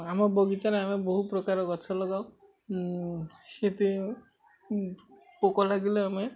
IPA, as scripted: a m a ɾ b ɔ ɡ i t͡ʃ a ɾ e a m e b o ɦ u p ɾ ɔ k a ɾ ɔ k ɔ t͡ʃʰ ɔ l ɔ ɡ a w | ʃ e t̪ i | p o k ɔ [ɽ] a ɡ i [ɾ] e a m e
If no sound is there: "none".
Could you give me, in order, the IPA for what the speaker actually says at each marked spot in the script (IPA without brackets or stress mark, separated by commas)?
l, l